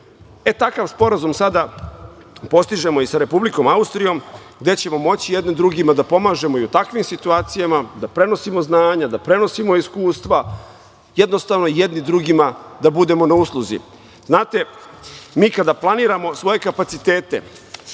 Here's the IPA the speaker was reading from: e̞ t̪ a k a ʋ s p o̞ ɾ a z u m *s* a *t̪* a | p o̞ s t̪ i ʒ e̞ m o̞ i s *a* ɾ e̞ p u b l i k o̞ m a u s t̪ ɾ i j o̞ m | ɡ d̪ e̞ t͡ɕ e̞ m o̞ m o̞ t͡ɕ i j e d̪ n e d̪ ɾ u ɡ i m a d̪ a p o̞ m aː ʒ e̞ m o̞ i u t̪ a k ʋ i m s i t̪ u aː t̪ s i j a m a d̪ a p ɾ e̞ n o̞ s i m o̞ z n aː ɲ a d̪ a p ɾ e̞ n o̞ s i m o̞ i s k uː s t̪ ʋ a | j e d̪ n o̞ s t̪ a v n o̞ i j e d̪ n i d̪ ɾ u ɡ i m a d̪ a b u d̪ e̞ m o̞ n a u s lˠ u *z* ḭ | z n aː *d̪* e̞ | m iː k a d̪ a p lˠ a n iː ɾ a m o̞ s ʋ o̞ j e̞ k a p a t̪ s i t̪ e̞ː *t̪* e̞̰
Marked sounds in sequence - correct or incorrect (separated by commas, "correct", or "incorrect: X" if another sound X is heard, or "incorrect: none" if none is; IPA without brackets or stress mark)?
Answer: correct, incorrect: d̪, correct, correct, incorrect: t̪, correct